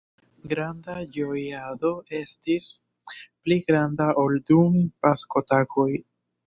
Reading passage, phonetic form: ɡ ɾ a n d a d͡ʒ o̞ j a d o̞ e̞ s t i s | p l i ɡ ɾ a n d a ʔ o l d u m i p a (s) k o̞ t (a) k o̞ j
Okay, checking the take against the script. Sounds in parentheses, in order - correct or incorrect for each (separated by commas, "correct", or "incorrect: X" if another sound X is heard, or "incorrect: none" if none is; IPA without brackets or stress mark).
correct, correct